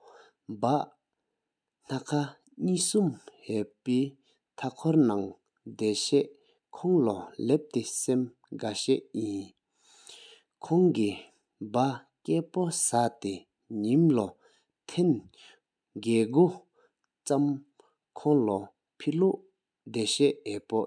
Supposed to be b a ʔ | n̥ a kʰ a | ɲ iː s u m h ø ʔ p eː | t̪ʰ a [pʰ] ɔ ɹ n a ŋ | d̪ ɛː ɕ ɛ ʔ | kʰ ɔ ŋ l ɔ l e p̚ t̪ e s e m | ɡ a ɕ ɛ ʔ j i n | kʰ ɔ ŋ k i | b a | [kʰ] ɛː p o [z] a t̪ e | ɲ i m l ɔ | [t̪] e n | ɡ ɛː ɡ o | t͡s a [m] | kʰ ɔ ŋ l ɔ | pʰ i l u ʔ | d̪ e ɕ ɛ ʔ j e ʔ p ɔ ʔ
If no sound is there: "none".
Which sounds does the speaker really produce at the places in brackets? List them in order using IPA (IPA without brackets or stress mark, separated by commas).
kʰ, k, s, t̪ʰ, m